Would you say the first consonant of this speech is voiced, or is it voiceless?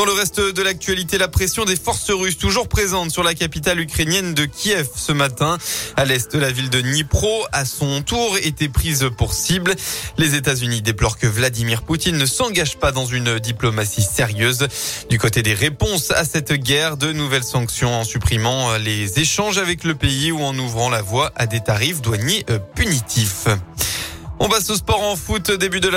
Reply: voiced